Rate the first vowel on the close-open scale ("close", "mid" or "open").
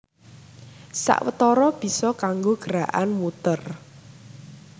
open